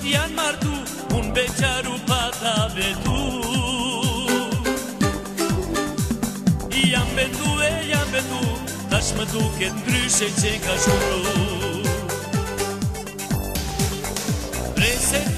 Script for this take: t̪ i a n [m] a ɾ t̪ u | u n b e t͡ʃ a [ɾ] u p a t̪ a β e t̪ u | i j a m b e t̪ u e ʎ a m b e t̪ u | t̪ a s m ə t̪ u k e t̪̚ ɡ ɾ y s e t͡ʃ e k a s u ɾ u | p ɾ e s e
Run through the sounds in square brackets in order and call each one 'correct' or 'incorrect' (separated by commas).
correct, correct